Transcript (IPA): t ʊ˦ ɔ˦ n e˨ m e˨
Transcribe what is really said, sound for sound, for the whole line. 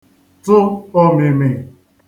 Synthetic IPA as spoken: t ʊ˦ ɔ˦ m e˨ m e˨